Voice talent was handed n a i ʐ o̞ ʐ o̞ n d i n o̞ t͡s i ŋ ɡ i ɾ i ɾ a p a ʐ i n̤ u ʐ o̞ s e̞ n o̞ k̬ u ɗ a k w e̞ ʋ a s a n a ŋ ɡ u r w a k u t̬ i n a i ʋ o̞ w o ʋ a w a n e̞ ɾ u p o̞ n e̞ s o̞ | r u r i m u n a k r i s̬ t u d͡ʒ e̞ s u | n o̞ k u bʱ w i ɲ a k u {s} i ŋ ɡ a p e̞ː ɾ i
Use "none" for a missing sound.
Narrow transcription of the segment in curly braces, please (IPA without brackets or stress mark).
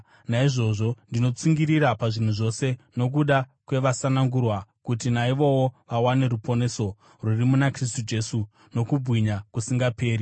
s